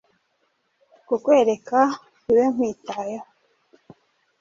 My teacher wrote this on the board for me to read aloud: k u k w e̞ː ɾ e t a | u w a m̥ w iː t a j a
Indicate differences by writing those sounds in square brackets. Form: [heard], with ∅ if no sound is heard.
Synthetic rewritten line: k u k w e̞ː ɾ e [k] a | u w [e] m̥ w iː t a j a